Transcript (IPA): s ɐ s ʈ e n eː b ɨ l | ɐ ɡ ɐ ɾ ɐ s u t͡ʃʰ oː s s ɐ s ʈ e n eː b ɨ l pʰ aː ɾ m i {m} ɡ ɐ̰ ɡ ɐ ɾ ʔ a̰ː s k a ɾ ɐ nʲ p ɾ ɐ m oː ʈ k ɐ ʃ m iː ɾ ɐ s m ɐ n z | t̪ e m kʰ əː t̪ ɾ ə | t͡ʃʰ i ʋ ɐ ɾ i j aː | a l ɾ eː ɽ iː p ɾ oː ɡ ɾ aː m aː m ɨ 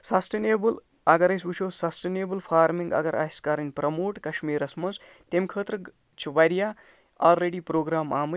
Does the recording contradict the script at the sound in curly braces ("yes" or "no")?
yes